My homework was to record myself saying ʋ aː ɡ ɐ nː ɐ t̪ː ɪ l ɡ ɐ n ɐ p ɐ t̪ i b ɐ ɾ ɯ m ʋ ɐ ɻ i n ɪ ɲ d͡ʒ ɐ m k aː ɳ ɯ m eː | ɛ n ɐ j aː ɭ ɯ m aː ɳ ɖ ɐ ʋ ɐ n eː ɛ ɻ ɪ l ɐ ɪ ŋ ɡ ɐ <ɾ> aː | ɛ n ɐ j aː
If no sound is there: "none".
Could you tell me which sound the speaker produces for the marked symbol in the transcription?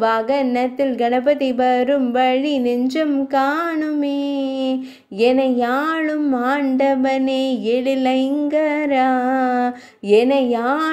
ɾ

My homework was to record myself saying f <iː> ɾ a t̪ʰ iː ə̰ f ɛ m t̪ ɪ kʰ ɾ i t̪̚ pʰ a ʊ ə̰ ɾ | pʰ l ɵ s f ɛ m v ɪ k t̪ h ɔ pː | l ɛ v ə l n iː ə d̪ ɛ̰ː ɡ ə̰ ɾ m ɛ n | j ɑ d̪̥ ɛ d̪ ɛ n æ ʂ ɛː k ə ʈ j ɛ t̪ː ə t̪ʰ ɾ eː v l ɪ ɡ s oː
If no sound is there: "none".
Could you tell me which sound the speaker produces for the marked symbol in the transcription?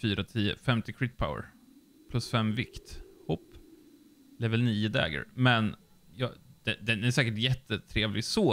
yː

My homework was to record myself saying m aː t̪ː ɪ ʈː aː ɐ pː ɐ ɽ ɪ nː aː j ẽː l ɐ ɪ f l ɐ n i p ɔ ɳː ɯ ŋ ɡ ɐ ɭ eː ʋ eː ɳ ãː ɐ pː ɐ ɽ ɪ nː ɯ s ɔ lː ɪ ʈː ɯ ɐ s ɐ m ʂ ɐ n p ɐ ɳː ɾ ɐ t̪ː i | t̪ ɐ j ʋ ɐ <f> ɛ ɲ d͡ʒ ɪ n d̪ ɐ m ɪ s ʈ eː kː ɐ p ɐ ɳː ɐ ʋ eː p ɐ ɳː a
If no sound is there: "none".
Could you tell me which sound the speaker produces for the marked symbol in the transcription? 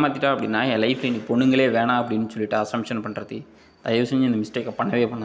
s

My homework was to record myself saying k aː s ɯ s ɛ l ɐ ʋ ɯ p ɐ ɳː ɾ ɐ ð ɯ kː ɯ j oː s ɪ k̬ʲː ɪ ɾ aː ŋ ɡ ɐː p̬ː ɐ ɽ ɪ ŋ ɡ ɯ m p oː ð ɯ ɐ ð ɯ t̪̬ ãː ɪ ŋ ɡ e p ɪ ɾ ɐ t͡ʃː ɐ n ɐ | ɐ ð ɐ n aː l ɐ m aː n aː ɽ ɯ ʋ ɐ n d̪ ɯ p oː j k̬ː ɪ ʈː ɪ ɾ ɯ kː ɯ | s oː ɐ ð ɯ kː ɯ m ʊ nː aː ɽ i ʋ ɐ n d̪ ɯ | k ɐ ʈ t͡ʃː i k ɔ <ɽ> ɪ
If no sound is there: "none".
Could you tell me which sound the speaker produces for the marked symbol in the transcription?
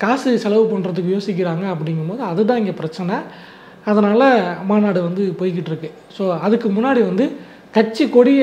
ɽ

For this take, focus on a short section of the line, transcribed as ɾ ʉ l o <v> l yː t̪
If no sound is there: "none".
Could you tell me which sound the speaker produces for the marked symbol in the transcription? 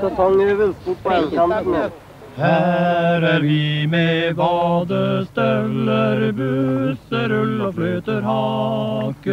f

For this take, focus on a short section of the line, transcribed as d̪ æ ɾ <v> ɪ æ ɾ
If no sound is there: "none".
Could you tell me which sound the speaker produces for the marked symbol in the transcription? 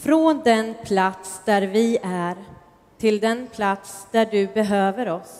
v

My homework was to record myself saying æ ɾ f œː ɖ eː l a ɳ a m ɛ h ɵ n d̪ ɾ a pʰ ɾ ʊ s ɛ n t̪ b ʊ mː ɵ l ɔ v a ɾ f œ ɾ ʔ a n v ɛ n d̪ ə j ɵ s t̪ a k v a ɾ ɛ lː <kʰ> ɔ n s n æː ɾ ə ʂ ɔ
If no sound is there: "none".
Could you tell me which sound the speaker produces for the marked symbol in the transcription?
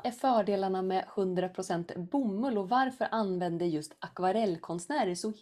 kʰ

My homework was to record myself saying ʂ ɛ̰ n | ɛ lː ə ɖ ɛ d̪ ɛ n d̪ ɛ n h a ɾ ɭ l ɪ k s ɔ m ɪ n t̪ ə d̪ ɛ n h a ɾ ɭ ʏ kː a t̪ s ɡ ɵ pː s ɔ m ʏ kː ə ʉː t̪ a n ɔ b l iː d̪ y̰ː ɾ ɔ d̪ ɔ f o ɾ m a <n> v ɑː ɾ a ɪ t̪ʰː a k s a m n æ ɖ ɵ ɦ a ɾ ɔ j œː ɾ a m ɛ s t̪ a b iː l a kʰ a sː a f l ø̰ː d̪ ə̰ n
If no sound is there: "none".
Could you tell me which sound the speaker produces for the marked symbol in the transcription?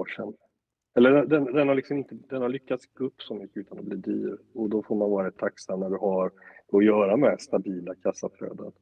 n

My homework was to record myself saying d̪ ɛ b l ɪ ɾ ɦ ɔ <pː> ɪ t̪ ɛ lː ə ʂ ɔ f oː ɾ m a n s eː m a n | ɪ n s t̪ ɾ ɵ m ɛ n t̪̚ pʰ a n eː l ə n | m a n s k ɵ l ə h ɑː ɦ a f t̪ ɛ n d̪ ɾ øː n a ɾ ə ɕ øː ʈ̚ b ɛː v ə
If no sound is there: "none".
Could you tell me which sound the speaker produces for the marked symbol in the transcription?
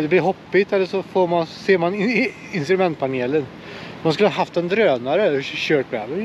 pː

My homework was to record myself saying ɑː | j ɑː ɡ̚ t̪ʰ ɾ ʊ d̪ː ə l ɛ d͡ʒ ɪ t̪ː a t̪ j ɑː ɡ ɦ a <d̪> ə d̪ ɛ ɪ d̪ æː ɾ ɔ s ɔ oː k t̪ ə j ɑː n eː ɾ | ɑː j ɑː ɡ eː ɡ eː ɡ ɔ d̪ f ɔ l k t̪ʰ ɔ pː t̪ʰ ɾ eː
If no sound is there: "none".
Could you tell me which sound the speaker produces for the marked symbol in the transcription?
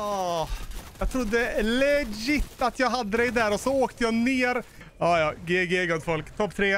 d̪ː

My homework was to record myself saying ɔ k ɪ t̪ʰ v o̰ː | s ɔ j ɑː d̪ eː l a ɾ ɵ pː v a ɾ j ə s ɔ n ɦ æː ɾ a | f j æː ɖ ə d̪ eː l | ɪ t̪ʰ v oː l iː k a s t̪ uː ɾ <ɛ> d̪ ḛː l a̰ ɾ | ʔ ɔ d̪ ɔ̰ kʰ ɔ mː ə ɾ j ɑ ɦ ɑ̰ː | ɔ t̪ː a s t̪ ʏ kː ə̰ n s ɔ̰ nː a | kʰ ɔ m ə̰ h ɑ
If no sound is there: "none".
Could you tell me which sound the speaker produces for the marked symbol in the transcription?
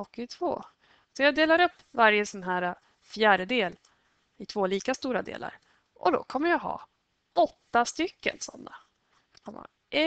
a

